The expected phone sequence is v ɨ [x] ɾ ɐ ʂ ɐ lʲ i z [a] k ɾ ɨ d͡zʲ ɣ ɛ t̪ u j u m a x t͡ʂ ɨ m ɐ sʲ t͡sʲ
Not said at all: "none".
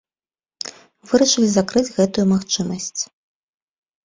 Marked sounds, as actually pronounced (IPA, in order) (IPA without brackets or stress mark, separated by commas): none, a